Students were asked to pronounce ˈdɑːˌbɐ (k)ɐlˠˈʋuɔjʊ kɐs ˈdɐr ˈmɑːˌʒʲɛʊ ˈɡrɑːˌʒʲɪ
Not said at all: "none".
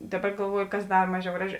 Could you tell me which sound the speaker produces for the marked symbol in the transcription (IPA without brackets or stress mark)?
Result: ɡ